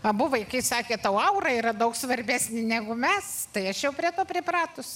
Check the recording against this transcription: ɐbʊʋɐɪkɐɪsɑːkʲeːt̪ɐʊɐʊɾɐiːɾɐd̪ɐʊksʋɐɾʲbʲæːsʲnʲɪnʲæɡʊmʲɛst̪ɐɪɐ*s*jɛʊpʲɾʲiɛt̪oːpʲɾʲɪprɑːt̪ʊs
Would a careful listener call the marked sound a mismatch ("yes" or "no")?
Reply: yes